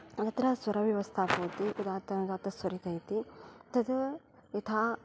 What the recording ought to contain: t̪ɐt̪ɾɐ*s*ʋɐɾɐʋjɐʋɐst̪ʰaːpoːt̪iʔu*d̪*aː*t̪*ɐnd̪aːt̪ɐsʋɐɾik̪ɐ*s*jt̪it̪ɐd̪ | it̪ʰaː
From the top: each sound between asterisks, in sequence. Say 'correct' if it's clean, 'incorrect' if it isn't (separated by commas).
correct, correct, correct, incorrect